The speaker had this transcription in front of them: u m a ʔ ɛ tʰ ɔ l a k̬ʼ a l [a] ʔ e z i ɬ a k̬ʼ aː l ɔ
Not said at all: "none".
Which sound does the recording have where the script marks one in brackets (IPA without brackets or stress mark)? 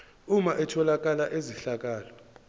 a